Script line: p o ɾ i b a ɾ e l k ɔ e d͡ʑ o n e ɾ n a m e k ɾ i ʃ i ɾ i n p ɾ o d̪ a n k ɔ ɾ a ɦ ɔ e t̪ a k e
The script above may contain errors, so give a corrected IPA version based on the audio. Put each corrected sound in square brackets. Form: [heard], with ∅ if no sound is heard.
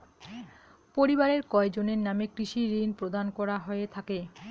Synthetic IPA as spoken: p o ɾ i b a ɾ e [ɾ] k ɔ e d͡ʑ o n e ɾ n a m e k ɾ i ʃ i ɾ i n p ɾ o d̪ a n k ɔ ɾ a ɦ ɔ e [t̪ʰ] a k e